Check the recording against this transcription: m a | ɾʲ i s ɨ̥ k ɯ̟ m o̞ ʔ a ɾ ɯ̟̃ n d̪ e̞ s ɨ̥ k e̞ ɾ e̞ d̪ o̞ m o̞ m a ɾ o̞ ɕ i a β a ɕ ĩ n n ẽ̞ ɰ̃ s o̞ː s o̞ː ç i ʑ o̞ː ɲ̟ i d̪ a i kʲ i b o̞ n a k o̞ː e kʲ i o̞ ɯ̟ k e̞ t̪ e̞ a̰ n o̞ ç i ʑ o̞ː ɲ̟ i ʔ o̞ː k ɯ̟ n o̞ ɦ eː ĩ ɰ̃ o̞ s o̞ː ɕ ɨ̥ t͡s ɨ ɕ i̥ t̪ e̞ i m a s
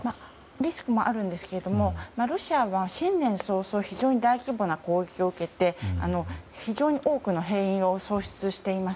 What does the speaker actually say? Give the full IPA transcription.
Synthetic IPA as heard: m a | ɾʲ i s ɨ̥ k ɯ̟ m o̞ ʔ a ɾ ɯ̟̃ n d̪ e̞ s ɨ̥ k e̞ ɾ e̞ d̪ o̞ m o̞ m a ɾ o̞ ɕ i a β a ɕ ĩ n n ẽ̞ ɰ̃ s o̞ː s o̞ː ç i ʑ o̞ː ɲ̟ i d̪ a i kʲ i b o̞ n a k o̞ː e kʲ i o̞ ɯ̟ k e̞ t̪ e̞ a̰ n o̞ ç i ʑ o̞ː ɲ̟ i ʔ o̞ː k ɯ̟ n o̞ ɦ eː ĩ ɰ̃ o̞ s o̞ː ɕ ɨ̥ t͡s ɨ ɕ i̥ t̪ e̞ i m a s